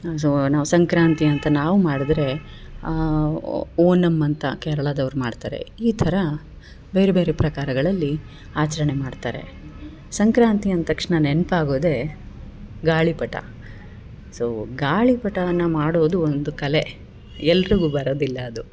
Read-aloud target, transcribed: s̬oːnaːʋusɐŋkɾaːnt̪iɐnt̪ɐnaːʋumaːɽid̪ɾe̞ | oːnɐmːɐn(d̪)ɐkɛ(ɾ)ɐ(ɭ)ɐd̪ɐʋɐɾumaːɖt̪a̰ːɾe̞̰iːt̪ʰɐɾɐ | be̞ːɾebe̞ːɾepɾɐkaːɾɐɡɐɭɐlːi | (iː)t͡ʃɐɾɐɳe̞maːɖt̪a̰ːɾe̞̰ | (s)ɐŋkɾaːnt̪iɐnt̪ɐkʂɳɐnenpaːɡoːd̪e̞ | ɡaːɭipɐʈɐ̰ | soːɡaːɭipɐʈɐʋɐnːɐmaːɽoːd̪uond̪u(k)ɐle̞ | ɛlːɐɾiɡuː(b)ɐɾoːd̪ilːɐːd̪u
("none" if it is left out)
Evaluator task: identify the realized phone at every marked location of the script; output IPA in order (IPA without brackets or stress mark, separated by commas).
t̪, ɾ, ɭ, aː, s, k, b